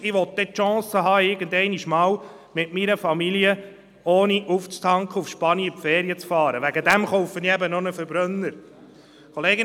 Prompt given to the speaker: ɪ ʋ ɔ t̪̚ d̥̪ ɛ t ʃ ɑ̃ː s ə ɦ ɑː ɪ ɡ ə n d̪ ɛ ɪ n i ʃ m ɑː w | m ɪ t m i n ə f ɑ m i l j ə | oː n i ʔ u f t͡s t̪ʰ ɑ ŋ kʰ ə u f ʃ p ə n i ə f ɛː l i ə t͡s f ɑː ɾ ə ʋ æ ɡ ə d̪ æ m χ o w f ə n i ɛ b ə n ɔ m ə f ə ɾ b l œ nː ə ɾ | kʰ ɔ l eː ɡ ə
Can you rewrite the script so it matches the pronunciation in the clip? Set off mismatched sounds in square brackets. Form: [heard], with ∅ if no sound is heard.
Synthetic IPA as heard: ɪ ʋ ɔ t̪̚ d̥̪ ɛ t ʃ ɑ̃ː s ə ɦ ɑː ɪ ɡ ə n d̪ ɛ ɪ n i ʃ m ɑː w | m ɪ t m i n ə f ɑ m i l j ə | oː n i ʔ u f t͡s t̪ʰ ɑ ŋ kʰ ə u f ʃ p [ɑ] n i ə f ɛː [ɾ] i ə t͡s f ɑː ɾ ə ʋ æ ɡ ə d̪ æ m χ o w f ə n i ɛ b ə n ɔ [n] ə f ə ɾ b [ɾ] œ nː ə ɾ | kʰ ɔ l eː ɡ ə